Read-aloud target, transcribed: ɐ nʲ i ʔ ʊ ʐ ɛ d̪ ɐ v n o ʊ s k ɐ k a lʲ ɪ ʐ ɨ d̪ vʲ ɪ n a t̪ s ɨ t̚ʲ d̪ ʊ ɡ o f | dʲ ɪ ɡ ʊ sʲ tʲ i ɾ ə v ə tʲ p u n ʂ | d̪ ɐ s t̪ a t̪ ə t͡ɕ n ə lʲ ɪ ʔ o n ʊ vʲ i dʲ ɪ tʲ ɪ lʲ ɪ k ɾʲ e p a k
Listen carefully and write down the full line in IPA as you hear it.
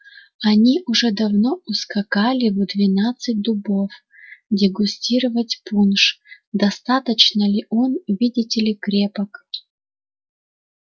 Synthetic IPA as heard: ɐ nʲ i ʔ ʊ ʐ ɛ d̪ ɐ v n o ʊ s k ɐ k a lʲ ɪ v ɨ d̪ vʲ ɪ n a t̪ s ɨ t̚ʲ d̪ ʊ b o f | dʲ ɪ ɡ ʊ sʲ tʲ i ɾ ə v ə tʲ p u n ʂ | d̪ ɐ s t̪ a t̪ ə t͡ɕ n ə lʲ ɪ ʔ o n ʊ vʲ i dʲ ɪ tʲ ɪ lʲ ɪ k ɾʲ e p ə k

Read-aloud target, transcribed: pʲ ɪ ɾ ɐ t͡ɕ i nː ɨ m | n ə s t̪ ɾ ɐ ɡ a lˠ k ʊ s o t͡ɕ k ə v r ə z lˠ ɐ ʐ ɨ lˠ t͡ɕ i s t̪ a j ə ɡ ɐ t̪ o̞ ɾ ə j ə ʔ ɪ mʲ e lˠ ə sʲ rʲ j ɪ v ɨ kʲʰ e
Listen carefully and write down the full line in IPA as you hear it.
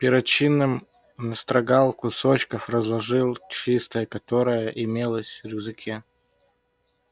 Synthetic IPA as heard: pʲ ɪ ɾ ɐ t͡ɕ i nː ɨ m | n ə s t̪ ɾ ɐ ɡ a lˠ k ʊ s o t͡ɕ k ə f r ə z lˠ ɐ ʐ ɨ lˠ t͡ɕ i s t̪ ə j ə k ɐ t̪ o̞ ɾ ə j ə ʔ ɪ mʲ e lˠ ə sʲ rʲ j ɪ z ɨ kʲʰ e

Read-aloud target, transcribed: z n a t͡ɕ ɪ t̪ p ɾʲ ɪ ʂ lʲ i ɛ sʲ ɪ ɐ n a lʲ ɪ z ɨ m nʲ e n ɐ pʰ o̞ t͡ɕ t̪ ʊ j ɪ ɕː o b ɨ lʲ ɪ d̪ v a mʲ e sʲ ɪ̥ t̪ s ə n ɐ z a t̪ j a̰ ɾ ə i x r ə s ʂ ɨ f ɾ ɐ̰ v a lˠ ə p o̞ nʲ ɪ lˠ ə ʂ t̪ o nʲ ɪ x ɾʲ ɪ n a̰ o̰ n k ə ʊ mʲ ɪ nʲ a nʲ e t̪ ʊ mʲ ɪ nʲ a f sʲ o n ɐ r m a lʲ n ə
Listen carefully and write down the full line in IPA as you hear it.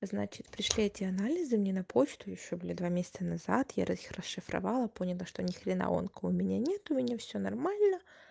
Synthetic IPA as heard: z n a t͡ɕ ɪ t̪ p ɾʲ ɪ ʂ lʲ i ɛ tʲ ɪ ɐ n a lʲ ɪ z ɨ m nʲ e n ɐ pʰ o̞ t͡ɕ t̪ ʊ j ɪ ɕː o b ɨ lʲ ɪ d̪ v a mʲ e sʲ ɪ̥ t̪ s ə n ɐ z a t̪ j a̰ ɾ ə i x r ə s ʂ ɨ f ɾ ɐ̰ v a lˠ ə p o̞ nʲ ɪ lˠ ə ʂ t̪ o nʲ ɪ x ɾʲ ɪ n a̰ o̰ n k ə ʊ mʲ ɪ nʲ a nʲ e t̪ ʊ mʲ ɪ nʲ a f sʲ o n ɐ r m a lʲ n ə

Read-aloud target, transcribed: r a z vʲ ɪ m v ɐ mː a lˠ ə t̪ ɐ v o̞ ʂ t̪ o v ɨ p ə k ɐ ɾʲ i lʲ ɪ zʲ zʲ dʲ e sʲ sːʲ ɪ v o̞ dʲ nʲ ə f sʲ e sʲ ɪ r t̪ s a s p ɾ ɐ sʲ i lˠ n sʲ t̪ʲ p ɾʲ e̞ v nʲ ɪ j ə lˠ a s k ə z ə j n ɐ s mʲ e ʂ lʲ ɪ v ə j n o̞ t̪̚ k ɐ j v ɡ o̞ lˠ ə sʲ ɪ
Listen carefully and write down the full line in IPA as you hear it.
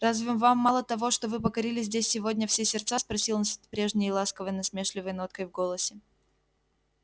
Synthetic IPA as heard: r a z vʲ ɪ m v a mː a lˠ ə t̪ ɐ v o̞ ʂ t̪ o v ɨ p ə k ɐ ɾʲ i lʲ ɪ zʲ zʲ dʲ e sʲ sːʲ ɪ v o̞ dʲ nʲ ə f sʲ e sʲ ɪ r t̪ s a s p ɾ ɐ sʲ i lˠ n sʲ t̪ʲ p ɾʲ e̞ ʐ nʲ ɪ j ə lˠ a s k ə v ə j n ɐ s mʲ e ʂ lʲ ɪ v ə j n o̞ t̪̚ k ə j v ɡ o̞ lˠ ə sʲ ɪ

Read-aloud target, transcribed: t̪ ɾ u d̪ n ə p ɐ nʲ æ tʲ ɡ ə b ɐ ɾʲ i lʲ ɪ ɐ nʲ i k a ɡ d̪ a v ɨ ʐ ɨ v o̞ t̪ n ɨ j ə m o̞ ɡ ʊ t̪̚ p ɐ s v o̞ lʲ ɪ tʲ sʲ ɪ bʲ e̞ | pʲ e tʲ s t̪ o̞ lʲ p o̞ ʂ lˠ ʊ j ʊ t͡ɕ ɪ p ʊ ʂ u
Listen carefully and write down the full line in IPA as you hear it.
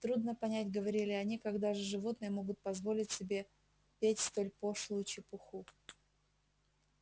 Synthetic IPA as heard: t̪ ɾ u d̪ n ə p ɐ nʲ æ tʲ ɡ ə v ɐ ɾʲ i lʲ ɪ ɐ nʲ i k a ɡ d̪ a ʐ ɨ ʐ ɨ v o̞ t̪ n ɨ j ə m o̞ ɡ ʊ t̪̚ p ɐ z v o̞ lʲ ɪ tʲ sʲ ɪ bʲ e̞ | pʲ e tʲ s t̪ o̞ lʲ p o̞ ʂ lˠ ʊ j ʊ t͡ɕ ɪ p ʊ x u

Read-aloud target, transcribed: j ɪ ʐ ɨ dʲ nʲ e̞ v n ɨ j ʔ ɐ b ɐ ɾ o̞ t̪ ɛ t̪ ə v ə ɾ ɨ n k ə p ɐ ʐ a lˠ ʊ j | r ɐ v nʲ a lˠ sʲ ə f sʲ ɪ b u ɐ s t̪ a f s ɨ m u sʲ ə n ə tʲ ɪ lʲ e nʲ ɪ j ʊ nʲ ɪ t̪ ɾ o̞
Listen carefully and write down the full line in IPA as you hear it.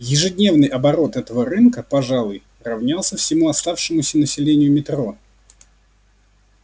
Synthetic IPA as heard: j ɪ ʐ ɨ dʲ nʲ e̞ v n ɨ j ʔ ɐ b ɐ ɾ o̞ t̪ ɛ t̪ ə v ə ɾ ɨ n k ə p ɐ ʐ a lˠ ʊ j | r ɐ v nʲ a lˠ sʲ ə f sʲ ɪ m u ɐ s t̪ a f ʂ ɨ m ʊ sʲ ə n ə sʲ ɪ lʲ e nʲ ɪ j ʊ mʲ ɪ t̪ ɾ o̞

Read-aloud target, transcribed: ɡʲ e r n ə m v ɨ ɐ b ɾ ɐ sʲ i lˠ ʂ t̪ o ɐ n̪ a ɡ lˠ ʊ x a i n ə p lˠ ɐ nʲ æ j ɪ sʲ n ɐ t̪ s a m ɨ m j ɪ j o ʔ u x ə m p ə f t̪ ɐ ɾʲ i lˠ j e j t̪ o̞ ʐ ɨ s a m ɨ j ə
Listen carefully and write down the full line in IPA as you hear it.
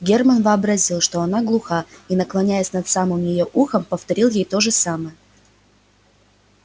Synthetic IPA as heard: ɡʲ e r m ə n v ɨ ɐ b ɾ ɐ zʲ i lˠ ʂ t̪ o ɐ n̪ a ɡ lˠ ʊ x a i n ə k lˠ ɐ nʲ æ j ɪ sʲ n ɐ t̪ s a m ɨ m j ɪ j o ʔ u x ə m p ə f t̪ ɐ ɾʲ i lˠ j e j t̪ o̞ ʐ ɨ s a m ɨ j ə

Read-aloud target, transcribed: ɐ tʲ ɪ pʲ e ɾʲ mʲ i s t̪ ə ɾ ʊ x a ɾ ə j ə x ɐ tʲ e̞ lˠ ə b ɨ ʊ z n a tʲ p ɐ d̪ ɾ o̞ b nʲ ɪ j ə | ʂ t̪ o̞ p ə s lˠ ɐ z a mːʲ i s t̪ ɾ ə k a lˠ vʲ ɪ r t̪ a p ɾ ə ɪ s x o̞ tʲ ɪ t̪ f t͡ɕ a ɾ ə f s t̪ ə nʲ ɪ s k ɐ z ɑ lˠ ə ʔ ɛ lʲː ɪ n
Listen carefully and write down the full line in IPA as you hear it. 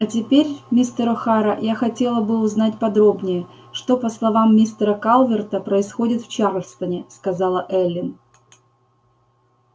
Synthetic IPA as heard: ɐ tʲ ɪ pʲ e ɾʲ mʲ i s t̪ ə ɾ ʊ x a ɾ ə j a x ɐ tʲ e̞ lˠ ə b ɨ ʊ z n a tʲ p ɐ d̪ ɾ o̞ b nʲ ɪ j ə | ʂ t̪ o̞ p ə s lˠ ɐ v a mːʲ i s t̪ ɾ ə k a lˠ vʲ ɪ r t̪ ə p ɾ ə ɪ s x o̞ dʲ ɪ t̪ f t͡ɕ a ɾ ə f s t̪ ə nʲ ɪ s k ɐ z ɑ lˠ ə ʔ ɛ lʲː ɪ n

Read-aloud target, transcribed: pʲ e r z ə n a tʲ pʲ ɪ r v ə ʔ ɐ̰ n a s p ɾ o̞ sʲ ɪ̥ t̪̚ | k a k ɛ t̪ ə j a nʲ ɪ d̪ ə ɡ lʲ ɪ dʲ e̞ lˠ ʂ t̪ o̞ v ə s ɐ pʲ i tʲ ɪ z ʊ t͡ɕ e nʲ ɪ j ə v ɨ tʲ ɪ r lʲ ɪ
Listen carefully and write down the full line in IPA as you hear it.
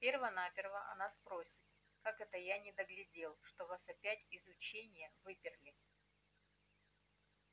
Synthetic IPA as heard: pʲ e r v ə n a pʲ ɪ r v ə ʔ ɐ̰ n a s p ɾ o̞ sʲ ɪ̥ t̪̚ | k a k ɛ t̪ ə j a nʲ ɪ d̪ ə ɡ lʲ ɪ dʲ e̞ lˠ ʂ t̪ o̞ v a s ɐ pʲ æ tʲ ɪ z ʊ t͡ɕ e nʲ ɪ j ə v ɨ pʲ ɪ r lʲ ɪ

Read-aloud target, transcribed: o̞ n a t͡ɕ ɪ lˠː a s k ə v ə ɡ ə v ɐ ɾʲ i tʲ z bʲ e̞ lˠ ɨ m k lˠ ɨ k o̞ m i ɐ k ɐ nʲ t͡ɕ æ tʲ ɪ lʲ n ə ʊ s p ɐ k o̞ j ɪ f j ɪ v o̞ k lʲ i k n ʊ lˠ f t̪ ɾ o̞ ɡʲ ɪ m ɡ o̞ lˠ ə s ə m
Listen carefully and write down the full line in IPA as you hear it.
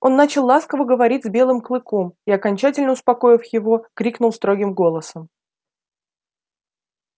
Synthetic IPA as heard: o̞ nː a t͡ɕ ɪ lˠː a s k ə v ə ɡ ə v ɐ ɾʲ i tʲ z bʲ e̞ lˠ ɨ m k lˠ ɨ k o̞ m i ɐ k ɐ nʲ t͡ɕ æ tʲ ɪ lʲ n ə ʊ s p ɐ k o̞ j ɪ f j ɪ v o̞ k ɾʲ i k n ʊ lˠ s t̪ ɾ o̞ ɡʲ ɪ m ɡ o̞ lˠ ə s ə m

